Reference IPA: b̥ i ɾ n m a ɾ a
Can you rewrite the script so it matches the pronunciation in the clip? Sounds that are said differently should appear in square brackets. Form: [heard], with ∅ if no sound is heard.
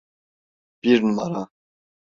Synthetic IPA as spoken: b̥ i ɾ n m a ɾ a